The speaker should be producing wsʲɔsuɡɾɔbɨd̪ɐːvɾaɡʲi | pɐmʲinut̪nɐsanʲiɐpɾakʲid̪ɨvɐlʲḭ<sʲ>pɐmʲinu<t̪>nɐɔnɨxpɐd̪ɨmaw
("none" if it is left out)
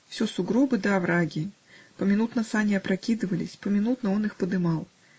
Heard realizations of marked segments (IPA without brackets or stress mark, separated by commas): sʲ, t̪